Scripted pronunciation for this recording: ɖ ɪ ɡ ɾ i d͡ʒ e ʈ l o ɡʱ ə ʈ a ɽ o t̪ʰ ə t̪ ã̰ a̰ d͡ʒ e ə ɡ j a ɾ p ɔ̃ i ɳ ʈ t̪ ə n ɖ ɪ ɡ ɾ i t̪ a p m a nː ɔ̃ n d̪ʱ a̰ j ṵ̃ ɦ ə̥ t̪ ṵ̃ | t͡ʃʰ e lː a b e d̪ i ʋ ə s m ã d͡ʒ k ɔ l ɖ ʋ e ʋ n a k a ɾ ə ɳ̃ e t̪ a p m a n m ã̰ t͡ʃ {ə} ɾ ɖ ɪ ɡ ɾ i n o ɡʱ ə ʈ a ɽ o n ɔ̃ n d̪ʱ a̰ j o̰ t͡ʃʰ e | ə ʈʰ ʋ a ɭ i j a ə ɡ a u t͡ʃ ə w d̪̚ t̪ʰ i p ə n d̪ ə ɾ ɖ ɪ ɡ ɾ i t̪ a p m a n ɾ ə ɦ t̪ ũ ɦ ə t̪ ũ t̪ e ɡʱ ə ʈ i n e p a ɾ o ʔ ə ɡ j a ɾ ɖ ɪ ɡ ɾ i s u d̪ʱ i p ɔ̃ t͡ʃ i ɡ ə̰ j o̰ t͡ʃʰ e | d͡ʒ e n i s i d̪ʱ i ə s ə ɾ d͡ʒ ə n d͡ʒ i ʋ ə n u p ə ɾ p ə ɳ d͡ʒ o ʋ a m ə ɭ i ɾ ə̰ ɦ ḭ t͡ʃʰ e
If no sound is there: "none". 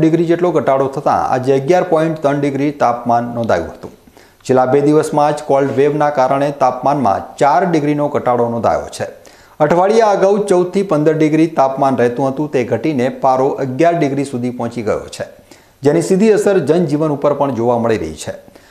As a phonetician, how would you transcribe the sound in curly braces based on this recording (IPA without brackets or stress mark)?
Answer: a